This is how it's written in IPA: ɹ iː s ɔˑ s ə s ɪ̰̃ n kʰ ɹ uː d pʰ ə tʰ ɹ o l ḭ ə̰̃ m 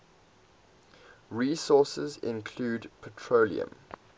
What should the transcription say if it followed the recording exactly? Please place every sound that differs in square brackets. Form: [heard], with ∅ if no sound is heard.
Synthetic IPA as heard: ɹ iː s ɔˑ s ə [z] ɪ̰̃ n kʰ [l] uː d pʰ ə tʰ ɹ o l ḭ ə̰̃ m